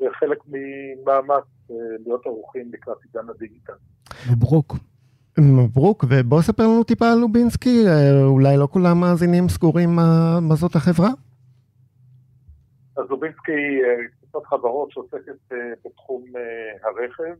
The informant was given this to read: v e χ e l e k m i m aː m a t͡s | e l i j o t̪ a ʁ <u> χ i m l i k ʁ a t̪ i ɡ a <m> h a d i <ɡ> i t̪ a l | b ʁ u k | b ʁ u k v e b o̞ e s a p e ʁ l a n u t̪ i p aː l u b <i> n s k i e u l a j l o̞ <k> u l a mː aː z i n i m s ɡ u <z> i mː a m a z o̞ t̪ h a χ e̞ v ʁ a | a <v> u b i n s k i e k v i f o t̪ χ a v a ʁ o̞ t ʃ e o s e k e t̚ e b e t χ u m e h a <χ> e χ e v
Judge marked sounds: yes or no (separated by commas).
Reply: yes, no, yes, yes, yes, no, no, no